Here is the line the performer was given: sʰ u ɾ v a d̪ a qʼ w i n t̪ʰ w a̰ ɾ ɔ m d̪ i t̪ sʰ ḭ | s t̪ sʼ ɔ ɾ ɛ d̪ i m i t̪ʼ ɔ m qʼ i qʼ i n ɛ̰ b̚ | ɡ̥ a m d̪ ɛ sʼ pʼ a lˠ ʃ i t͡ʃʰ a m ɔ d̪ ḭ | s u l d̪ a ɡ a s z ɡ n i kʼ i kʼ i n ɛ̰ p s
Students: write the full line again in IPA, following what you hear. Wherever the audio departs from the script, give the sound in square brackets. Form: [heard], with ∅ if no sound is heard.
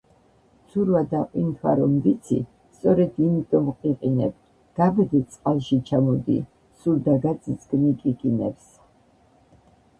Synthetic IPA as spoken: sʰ u ɾ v a d̪ a qʼ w i n t̪ʰ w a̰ ɾ ɔ m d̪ i t̪ sʰ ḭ | s t̪ sʼ ɔ ɾ ɛ d̪ i m i t̪ʼ ɔ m qʼ i qʼ i n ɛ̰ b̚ | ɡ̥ a [b] d̪ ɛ sʼ [qʼ] a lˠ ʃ i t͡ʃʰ a m ɔ d̪ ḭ | s u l d̪ a ɡ a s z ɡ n i kʼ i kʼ i n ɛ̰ p s